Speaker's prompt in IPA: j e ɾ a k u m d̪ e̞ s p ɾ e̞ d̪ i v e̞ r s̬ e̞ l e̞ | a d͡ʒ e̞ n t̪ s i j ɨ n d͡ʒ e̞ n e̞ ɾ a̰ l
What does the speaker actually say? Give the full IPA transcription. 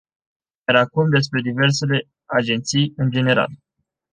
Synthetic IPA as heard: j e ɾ a k u m d̪ e̞ s p ɾ e̞ d̪ i v e̞ r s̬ e̞ l e̞ | a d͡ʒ e̞ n t̪ s i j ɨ n d͡ʒ e̞ n e̞ ɾ a̰ l